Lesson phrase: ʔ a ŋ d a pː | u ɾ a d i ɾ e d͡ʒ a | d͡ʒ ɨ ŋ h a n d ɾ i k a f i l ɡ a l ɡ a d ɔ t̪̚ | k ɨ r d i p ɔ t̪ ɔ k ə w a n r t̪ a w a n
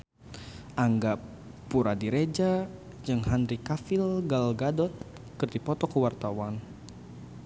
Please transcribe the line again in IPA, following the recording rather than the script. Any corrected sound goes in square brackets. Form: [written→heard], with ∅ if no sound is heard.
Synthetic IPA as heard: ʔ a ŋ [d→ɡ] a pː | u ɾ a d i ɾ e d͡ʒ a | d͡ʒ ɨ ŋ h a n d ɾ i k a f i l ɡ a l ɡ a d ɔ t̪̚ | k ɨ r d i p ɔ t̪ ɔ k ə w a [n→∅] r t̪ a w a n